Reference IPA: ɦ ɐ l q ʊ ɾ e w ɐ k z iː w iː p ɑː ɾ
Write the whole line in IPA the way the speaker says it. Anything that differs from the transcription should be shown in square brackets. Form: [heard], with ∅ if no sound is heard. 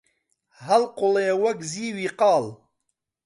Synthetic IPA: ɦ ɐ l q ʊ [l] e w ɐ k z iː w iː [q] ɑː [l]